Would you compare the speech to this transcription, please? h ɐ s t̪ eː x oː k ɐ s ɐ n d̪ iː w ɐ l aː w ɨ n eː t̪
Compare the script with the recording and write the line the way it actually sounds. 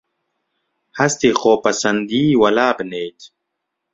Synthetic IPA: h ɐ s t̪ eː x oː p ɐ s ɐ n d̪ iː w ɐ l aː b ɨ n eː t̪